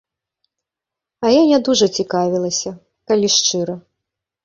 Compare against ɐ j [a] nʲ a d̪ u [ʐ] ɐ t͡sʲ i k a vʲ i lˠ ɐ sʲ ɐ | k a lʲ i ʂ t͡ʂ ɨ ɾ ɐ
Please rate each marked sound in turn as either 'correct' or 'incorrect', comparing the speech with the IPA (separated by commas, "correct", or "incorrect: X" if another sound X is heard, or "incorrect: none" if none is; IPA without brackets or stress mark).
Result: correct, correct